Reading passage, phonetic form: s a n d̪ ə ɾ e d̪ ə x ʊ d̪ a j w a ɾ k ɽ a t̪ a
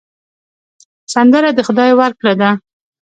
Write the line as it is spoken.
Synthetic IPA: s a n d̪ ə ɾ a d̪ ə x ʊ d̪ ɑ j w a ɾ k ɽ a d̪ a